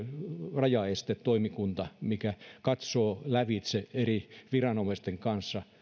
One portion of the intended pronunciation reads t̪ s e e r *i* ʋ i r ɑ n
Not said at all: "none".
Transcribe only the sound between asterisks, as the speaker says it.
i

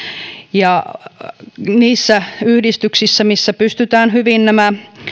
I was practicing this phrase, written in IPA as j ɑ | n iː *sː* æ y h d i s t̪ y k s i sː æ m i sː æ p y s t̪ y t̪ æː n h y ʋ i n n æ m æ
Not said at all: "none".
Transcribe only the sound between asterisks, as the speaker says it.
sː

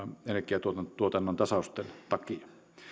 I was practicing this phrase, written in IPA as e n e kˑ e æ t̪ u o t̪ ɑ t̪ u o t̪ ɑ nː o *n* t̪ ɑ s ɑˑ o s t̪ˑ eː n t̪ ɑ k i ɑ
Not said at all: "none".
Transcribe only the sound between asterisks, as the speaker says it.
n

